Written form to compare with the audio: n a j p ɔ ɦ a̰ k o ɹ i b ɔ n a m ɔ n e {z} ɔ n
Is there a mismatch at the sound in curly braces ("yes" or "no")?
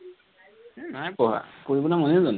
no